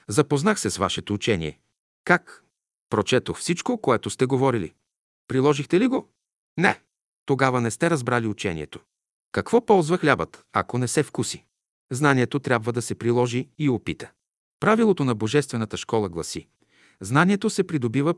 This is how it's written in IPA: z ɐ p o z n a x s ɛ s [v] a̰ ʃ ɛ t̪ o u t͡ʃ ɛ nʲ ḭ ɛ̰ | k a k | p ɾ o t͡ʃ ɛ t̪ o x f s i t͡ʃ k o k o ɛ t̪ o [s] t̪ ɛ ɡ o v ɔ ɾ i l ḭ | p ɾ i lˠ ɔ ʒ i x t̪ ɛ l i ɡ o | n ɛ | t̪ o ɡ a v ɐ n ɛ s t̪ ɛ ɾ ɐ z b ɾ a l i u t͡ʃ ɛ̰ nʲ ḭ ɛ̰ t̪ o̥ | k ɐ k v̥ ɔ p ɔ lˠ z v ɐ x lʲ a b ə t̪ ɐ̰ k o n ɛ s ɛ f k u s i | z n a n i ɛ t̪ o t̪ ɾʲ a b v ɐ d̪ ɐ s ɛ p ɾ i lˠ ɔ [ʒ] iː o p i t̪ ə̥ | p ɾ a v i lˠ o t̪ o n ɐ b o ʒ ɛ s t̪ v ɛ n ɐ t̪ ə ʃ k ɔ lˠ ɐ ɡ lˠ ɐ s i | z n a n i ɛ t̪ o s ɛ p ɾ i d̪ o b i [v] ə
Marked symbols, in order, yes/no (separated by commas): yes, yes, yes, yes